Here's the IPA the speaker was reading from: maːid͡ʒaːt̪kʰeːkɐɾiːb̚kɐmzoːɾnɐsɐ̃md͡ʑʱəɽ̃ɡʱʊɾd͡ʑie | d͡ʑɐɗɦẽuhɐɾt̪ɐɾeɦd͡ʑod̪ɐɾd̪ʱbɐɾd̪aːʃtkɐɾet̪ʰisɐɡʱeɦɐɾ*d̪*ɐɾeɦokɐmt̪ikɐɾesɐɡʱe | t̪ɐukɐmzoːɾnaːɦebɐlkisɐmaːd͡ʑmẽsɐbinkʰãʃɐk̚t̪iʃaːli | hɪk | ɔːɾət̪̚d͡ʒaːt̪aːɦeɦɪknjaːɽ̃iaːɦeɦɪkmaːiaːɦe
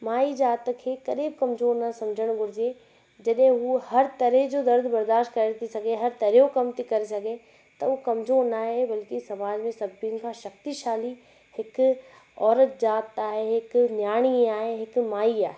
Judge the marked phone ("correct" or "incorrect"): incorrect